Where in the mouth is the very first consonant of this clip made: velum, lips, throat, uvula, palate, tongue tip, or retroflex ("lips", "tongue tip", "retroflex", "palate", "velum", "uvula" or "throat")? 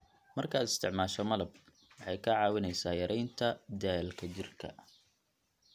lips